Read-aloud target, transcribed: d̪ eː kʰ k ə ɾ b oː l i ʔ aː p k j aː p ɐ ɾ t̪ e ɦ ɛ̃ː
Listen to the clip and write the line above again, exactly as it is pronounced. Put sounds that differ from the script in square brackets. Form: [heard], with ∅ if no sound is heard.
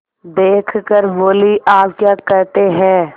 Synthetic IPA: d̪ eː kʰ k ə ɾ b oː l i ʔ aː p k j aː [k] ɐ ɾ t̪ e ɦ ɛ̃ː

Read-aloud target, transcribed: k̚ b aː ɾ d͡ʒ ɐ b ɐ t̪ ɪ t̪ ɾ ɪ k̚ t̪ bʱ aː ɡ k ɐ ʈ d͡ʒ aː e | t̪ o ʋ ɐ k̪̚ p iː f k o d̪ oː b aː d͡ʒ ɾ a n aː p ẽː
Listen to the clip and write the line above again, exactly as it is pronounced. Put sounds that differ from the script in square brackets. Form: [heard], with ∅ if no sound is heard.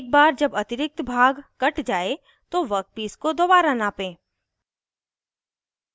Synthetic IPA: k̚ b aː ɾ d͡ʒ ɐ b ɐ t̪ ɪ [∅] ɾ ɪ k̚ t̪ bʱ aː ɡ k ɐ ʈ d͡ʒ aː e | t̪ o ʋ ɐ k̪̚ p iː [s] k o d̪ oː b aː [∅] ɾ a n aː p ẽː

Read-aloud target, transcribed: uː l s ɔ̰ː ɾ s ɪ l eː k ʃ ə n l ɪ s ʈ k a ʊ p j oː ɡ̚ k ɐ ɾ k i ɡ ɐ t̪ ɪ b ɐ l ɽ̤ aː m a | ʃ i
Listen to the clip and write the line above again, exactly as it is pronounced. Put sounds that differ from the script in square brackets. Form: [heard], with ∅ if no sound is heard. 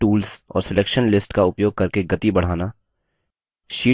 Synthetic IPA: uː l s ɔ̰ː ɾ s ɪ l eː k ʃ ə n l ɪ s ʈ k a ʊ p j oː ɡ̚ k ɐ ɾ k [e] ɡ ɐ t̪ [i] b ɐ [∅] ɽ̤ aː [n] a | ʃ [iː]

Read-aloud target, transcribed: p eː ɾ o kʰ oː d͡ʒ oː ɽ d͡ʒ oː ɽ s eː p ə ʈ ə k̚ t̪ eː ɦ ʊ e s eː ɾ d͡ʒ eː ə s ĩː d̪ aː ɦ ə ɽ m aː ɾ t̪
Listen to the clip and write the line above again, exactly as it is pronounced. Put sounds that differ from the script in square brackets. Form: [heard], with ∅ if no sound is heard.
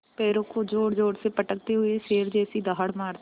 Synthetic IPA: p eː ɾ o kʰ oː d͡ʒ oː ɽ d͡ʒ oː ɽ s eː p ə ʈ ə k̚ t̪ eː ɦ ʊ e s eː ɾ d͡ʒ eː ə s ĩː d̪ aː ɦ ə ɽ m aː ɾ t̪

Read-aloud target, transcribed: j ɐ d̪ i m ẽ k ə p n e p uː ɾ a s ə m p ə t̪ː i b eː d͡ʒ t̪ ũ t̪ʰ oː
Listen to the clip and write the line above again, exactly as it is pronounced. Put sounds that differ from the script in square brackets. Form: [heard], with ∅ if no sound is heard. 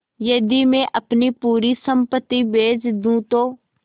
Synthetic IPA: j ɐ d̪ i m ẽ [ʔ] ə p n [i] p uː ɾ [i] s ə m p ə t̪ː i b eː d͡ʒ [d̪] ũ [t̪] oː

